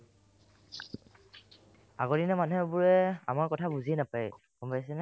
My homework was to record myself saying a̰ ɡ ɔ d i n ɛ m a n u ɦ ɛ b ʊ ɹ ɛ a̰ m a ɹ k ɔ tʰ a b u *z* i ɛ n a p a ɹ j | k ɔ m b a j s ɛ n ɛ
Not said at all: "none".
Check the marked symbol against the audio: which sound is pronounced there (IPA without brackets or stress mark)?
z